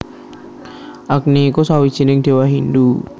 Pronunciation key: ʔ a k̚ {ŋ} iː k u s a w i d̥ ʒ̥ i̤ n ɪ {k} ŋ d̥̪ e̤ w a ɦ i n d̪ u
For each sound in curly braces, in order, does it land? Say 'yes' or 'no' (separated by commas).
no, no